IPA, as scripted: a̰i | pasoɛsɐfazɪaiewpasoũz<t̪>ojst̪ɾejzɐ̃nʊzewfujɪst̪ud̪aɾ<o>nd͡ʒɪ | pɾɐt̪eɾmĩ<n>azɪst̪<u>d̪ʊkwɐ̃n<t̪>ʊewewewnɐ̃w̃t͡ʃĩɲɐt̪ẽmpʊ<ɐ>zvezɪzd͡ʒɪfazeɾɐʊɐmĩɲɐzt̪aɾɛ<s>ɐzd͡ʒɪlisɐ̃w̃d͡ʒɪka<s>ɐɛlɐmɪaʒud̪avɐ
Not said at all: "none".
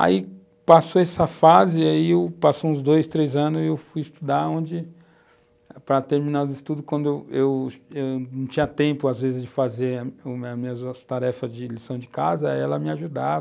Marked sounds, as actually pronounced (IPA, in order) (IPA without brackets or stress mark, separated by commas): d̪, õ, n, u, d̪, a, f, z